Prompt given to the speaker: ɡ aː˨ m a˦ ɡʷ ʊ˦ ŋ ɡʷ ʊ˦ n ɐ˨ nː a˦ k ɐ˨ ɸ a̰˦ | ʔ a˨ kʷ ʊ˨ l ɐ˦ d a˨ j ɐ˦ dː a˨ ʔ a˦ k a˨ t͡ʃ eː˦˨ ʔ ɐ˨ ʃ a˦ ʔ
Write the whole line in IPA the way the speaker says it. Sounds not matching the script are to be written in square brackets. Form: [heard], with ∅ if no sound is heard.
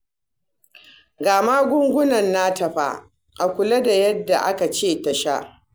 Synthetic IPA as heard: ɡ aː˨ m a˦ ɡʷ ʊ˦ ŋ ɡʷ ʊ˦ n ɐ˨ nː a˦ [t] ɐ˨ ɸ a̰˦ | ʔ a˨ kʷ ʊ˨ l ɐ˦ d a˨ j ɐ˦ dː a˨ ʔ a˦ k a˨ t͡ʃ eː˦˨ [t] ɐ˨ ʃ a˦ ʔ